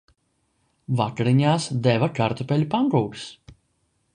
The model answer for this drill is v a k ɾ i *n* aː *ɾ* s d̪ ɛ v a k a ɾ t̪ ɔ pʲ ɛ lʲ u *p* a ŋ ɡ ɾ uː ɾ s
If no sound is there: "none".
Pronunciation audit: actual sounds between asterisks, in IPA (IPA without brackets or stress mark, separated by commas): ɲ, none, p